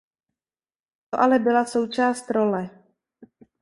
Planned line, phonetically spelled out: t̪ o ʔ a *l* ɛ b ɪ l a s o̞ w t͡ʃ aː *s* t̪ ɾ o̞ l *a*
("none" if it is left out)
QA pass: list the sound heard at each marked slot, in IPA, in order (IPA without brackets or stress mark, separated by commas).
l, s, ɛ